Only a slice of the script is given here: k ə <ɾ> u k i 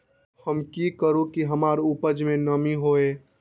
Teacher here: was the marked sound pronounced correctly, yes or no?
yes